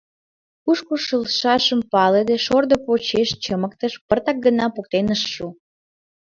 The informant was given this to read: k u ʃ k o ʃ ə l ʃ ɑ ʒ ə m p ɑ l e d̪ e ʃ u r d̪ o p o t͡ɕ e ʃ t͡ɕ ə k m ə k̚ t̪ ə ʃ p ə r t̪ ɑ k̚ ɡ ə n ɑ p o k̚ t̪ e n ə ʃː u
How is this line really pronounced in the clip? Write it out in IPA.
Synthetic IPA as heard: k u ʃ k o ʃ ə l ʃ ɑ ʃ ə m p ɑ l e d̪ e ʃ o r d̪ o p o t͡ɕ e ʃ t͡ɕ ə m ə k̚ t̪ ə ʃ p ə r t̪ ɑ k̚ ɡ ə n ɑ p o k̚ t̪ e n ə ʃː u